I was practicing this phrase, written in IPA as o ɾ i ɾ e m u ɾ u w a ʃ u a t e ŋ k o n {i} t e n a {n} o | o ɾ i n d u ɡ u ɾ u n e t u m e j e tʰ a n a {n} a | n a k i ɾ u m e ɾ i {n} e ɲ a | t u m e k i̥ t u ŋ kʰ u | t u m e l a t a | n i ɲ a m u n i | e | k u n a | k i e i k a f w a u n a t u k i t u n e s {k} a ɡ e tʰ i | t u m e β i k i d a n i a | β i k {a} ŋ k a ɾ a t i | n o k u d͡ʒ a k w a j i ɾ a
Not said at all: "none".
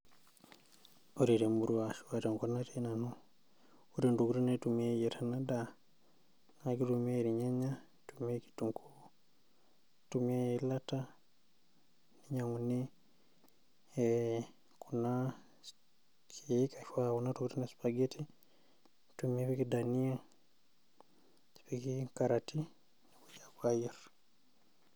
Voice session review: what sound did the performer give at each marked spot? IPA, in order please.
a, n, d, ɲ, p, i

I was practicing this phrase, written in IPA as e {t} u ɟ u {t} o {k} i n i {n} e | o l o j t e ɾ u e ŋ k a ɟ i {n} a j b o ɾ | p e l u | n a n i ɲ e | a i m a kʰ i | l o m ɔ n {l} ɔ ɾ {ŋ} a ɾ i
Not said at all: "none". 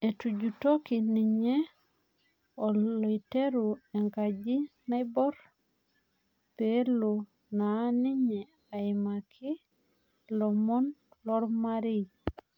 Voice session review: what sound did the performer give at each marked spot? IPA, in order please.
t, t, k, ɲ, n, l, m

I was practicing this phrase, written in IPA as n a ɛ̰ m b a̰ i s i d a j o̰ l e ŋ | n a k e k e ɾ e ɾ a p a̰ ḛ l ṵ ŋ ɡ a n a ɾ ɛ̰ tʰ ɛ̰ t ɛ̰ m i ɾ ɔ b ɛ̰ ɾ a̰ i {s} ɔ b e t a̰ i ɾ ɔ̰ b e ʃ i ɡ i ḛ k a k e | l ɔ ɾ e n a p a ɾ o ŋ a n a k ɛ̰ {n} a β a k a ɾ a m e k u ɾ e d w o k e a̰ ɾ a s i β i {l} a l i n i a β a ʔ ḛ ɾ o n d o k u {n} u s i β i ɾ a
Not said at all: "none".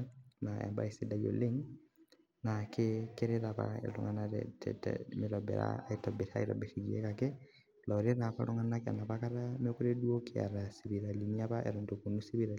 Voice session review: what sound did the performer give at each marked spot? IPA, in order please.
t, n, ɾ, n

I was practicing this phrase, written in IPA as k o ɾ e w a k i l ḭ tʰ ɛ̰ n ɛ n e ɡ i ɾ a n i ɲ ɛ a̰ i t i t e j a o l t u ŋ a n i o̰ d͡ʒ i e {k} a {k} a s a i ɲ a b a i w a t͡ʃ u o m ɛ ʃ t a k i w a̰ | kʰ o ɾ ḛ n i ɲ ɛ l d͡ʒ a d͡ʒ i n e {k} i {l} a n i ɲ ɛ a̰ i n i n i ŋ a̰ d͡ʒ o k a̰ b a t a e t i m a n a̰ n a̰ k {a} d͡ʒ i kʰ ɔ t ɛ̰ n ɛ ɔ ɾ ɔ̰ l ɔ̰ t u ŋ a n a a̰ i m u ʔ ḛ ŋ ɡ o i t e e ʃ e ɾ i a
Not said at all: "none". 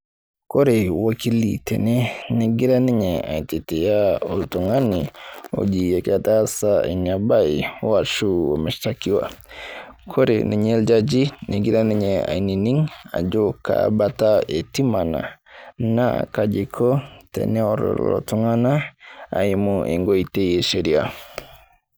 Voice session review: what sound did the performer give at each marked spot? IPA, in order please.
k, t, ɡ, ɾ, a

